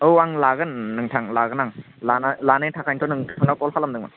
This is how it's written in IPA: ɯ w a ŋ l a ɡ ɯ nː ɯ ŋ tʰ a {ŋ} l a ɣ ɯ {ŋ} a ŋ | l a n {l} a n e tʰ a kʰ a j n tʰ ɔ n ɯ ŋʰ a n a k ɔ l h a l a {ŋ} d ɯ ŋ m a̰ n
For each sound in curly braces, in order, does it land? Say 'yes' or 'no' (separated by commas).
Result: yes, no, yes, no